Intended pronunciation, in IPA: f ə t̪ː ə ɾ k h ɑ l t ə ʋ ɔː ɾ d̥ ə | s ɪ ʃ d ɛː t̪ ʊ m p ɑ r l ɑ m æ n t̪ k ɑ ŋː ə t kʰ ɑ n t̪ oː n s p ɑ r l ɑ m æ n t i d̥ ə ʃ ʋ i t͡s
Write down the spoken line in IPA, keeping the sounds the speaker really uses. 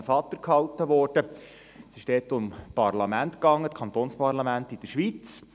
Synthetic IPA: f ɑ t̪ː ə ɾ k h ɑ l t ə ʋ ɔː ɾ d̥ ə | s ɪ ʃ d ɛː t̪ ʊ m p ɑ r l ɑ m æ n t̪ k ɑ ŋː ə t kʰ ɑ n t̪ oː n s p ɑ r l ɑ m æ n t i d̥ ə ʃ ʋ i t͡s